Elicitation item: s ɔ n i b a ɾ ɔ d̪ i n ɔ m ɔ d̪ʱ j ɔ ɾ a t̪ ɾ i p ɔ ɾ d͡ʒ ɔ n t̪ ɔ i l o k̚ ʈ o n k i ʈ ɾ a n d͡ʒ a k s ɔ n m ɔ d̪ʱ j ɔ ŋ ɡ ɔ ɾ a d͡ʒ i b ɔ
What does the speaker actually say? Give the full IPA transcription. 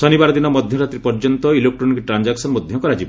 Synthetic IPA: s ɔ n i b a ɾ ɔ d̪ i n ɔ m ɔ d̪ʱ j ɔ ɾ a t̪ ɾ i p ɔ ɾ d͡ʒ ɔ n t̪ ɔ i l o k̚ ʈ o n k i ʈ ɾ a n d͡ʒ a k s ɔ n m ɔ d̪ʱ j ɔ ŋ k ɔ ɾ a d͡ʒ i b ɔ